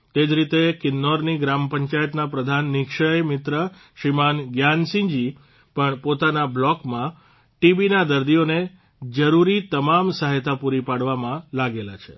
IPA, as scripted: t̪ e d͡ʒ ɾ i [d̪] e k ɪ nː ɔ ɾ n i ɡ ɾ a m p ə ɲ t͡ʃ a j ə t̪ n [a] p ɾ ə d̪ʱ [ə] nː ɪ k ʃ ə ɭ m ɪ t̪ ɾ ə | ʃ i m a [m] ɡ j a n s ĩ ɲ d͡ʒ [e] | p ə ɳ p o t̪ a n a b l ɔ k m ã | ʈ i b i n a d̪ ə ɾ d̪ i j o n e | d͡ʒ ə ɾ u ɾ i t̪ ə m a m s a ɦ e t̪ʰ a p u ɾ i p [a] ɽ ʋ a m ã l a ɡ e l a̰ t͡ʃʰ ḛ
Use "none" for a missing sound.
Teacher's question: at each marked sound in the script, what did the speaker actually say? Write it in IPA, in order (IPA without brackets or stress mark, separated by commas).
t̪, a, a, n, i, a